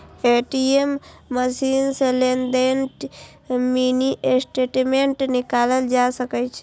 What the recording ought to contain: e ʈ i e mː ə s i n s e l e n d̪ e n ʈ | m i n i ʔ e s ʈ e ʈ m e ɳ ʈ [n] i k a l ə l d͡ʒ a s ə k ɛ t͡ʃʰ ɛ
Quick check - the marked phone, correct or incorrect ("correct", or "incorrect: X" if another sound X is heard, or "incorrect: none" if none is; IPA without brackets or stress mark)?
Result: correct